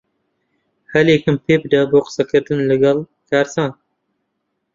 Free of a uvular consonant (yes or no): no